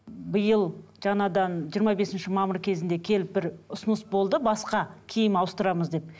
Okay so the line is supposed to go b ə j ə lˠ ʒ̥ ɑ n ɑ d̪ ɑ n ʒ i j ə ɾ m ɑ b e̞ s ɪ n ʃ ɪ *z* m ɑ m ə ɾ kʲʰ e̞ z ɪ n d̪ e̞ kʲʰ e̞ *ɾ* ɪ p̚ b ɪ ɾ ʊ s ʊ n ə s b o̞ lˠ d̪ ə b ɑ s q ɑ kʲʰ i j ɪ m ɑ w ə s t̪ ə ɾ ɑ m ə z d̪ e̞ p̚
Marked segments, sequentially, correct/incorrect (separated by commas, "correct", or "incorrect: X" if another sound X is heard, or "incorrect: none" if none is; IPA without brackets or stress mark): incorrect: none, incorrect: l